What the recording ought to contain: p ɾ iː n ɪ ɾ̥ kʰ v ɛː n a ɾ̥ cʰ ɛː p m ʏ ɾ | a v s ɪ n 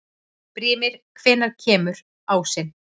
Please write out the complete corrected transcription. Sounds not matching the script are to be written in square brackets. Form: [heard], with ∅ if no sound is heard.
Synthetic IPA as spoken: p ɾ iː [m] ɪ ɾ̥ kʰ v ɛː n a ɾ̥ cʰ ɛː [∅] m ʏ ɾ | a [w] s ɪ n